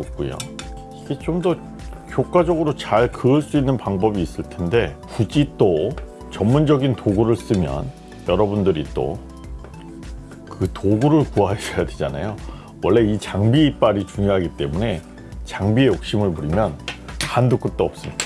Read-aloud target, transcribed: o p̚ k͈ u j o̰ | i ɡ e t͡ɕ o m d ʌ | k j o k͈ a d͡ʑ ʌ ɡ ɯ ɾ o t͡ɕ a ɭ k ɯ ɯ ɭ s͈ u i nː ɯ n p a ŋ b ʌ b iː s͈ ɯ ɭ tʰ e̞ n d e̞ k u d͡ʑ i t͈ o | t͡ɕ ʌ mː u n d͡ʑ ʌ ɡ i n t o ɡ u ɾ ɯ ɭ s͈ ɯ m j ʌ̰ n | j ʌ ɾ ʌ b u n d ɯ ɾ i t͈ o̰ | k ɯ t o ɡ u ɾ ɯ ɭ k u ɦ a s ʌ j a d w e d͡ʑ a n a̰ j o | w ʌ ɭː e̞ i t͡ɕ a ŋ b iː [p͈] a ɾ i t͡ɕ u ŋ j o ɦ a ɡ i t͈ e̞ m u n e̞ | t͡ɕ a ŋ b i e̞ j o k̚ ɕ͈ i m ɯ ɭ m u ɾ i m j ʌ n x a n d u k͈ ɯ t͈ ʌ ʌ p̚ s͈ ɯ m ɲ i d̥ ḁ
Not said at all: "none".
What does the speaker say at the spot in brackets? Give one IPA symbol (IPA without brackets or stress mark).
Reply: p͈